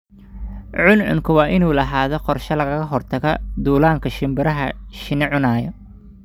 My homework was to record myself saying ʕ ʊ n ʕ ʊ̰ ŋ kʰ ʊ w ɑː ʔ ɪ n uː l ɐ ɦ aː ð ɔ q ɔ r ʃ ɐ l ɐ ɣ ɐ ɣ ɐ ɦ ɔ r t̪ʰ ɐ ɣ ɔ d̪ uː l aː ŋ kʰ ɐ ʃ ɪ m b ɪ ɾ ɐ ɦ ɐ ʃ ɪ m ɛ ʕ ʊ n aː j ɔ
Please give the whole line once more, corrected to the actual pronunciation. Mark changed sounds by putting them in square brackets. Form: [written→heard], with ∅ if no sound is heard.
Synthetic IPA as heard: ʕ ʊ n ʕ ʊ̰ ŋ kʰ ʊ w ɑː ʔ ɪ n uː l ɐ ɦ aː ð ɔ q ɔ r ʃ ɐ l ɐ ɣ ɐ ɣ ɐ ɦ ɔ r t̪ʰ ɐ ɣ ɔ d̪ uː l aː ŋ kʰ ɐ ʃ ɪ m b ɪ ɾ ɐ ɦ ɐ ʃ ɪ [m→n] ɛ ʕ ʊ n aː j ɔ